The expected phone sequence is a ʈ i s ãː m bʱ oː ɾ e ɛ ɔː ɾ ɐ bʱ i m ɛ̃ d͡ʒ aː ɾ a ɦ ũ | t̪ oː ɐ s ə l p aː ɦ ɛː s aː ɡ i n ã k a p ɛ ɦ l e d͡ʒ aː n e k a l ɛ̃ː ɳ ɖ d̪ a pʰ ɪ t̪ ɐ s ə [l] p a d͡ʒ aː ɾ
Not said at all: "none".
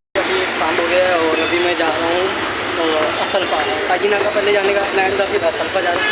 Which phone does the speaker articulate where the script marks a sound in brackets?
l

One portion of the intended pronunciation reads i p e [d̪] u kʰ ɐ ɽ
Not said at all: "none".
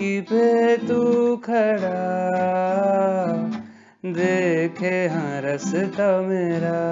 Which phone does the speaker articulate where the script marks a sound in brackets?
t̪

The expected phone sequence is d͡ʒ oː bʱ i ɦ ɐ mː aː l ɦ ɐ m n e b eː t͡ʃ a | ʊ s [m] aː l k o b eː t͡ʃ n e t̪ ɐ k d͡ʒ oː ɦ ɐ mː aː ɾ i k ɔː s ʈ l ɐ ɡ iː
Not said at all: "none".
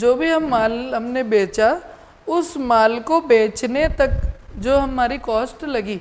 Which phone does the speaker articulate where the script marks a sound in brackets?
m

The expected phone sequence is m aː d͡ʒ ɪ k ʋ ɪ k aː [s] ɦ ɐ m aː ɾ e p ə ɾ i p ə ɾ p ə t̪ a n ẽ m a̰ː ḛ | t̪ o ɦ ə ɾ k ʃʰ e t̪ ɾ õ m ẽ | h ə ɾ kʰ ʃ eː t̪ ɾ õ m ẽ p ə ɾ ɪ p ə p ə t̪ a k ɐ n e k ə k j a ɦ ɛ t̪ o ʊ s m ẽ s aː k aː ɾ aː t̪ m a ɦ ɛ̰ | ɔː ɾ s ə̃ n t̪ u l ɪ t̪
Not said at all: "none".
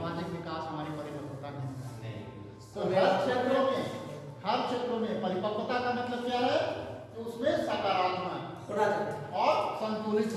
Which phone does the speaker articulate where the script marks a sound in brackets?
s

